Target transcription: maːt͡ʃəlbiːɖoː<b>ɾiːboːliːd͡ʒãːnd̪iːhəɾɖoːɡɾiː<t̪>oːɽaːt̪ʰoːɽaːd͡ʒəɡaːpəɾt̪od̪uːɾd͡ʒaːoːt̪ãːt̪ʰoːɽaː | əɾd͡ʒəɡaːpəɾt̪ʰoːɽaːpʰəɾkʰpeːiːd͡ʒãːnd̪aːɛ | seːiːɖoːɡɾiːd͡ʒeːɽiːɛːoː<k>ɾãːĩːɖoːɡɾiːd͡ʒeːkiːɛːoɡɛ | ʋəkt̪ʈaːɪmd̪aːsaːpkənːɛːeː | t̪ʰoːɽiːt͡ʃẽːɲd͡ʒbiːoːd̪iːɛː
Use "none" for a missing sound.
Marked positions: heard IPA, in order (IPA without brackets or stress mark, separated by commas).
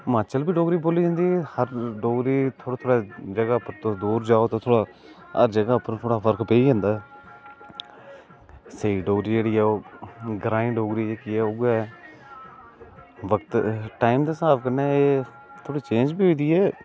ɡ, t̪ʰ, ɡ